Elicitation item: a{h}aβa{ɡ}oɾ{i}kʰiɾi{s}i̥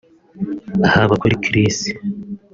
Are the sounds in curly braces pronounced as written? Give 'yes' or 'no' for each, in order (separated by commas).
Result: yes, no, yes, yes